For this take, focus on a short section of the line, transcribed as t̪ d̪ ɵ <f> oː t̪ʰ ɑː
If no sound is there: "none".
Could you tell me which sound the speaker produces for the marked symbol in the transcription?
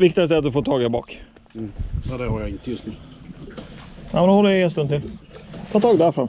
f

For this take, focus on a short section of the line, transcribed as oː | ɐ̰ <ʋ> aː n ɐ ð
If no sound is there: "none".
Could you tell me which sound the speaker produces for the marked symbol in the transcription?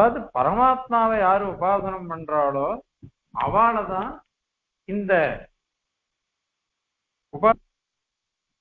ʋ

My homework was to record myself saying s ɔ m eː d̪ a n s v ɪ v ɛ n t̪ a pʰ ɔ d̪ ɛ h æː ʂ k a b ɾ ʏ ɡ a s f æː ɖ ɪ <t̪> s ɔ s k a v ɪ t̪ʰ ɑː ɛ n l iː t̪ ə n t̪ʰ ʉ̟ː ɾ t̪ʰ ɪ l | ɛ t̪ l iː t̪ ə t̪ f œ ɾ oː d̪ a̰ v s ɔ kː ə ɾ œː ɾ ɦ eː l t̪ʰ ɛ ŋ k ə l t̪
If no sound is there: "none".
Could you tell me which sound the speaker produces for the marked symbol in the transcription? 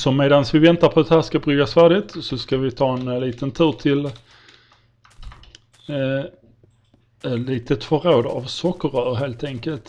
t̪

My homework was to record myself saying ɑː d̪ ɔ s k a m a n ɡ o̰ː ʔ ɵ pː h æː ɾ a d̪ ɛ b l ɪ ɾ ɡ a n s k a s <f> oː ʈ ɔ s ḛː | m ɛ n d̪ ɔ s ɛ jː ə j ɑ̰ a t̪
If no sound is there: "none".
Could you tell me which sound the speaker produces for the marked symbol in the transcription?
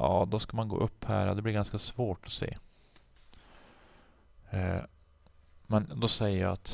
v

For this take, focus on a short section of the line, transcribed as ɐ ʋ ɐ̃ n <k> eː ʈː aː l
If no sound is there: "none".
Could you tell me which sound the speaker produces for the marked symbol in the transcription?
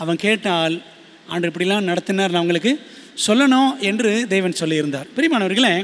k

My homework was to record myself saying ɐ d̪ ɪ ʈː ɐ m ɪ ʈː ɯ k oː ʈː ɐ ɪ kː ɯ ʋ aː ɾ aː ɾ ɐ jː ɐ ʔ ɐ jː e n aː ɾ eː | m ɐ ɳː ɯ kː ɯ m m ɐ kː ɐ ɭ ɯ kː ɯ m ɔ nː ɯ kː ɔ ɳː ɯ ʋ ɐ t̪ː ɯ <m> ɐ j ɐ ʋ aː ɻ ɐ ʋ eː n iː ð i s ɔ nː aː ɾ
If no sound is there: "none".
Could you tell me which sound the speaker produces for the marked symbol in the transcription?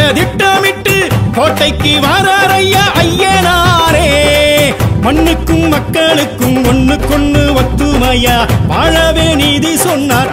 m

